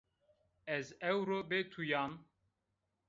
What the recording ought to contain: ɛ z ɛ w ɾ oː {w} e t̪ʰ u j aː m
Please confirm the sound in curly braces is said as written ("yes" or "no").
no